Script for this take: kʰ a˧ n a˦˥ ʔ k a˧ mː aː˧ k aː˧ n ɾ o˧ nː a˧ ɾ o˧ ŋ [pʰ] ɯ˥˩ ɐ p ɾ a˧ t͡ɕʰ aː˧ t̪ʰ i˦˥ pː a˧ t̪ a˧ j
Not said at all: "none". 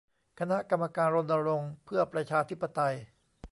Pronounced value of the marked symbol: pʰ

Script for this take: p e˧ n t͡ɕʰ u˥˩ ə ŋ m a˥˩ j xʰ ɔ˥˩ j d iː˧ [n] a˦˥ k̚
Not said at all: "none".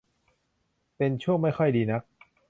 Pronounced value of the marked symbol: n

